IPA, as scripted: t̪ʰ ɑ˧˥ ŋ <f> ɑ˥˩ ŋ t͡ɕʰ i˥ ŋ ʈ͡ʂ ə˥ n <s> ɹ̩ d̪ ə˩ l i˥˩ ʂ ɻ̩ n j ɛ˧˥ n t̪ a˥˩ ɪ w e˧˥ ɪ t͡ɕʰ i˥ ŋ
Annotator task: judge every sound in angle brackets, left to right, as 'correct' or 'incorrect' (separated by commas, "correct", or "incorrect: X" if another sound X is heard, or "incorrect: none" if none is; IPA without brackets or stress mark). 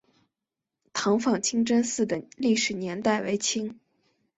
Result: correct, correct